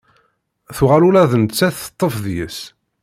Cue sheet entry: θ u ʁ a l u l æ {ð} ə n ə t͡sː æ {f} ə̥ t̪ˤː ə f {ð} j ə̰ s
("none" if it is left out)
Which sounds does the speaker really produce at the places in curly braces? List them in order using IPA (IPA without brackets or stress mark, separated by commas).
ð, θ, ð